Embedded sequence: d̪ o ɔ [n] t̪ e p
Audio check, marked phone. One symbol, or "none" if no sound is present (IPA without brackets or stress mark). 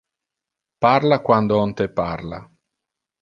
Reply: n